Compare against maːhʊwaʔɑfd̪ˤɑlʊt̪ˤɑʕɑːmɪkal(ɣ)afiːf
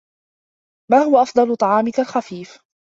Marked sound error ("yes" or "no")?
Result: yes